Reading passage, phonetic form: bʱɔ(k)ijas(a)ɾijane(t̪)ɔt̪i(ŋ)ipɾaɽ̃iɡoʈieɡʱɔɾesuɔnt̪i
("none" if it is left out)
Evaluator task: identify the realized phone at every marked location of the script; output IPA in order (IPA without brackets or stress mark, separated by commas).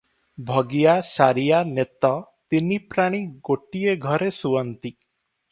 ɡ, a, t̪, n